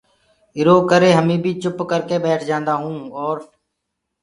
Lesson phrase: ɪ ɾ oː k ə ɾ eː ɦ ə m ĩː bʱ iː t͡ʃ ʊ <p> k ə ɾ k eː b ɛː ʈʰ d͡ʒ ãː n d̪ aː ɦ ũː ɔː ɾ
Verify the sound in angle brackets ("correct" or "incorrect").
correct